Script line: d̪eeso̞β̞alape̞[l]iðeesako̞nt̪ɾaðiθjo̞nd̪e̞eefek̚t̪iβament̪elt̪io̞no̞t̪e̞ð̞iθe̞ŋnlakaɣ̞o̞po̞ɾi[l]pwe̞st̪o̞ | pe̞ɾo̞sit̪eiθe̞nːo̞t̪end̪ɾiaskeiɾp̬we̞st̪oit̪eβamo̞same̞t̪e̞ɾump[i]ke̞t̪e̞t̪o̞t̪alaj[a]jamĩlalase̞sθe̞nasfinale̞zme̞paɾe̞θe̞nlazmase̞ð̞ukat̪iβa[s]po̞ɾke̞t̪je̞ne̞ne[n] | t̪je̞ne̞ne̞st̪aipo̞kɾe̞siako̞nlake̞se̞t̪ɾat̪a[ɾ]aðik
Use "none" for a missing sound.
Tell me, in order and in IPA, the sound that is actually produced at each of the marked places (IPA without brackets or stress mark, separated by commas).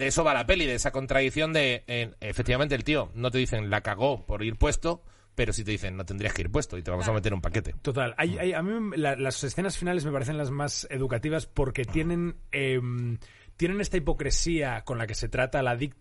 l, ɾ, a, a, s, m, l